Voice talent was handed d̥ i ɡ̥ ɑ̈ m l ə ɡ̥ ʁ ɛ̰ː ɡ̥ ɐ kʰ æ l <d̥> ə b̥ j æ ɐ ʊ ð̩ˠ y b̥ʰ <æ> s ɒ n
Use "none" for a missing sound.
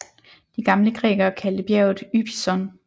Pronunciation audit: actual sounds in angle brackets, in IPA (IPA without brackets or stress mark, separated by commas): d̥, i